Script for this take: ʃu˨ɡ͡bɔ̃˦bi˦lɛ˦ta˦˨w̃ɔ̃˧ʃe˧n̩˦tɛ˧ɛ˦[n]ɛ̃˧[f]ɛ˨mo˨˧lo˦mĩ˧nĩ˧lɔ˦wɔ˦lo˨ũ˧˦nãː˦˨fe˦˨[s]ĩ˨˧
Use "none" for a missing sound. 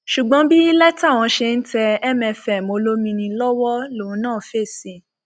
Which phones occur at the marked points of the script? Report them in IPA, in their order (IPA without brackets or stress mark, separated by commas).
m, f, s